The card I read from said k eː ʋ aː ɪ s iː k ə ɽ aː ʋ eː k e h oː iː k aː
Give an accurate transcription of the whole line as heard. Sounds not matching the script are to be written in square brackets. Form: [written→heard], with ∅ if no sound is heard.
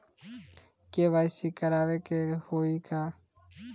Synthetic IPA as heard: k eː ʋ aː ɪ s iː k ə [ɽ→ɾ] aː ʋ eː k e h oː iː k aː

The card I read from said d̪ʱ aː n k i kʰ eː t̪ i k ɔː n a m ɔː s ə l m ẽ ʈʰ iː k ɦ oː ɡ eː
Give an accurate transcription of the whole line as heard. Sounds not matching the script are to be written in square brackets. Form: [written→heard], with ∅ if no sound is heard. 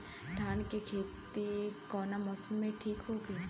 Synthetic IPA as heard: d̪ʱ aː n k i kʰ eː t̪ i k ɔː n a m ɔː s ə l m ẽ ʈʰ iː k ɦ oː ɡ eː

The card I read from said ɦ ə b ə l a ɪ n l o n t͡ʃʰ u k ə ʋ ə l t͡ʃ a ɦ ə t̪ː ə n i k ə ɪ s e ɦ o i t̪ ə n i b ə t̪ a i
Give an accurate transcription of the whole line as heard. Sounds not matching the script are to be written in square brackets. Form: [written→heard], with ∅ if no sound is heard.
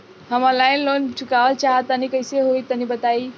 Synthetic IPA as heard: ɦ ə [b→m] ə l a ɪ n l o n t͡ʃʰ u k [ə→a] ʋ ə l t͡ʃ a ɦ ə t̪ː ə n i k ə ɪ s e ɦ o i t̪ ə n i b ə t̪ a i

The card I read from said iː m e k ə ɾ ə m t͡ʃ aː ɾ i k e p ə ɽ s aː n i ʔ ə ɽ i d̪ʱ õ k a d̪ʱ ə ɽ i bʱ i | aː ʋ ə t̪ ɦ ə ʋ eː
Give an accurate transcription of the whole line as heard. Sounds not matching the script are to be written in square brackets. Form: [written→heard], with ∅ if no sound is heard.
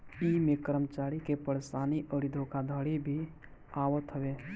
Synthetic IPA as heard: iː m e k ə ɾ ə m t͡ʃ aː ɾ i k e p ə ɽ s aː n i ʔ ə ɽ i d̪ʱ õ k a d̪ʱ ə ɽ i bʱ i | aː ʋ ə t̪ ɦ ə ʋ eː

